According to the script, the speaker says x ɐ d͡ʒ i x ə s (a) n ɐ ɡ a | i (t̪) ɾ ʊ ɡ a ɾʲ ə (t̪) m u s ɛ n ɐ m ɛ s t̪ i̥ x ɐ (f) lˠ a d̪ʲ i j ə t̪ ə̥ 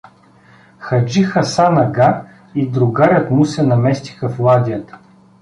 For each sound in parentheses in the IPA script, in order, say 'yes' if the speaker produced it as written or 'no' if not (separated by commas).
yes, no, yes, yes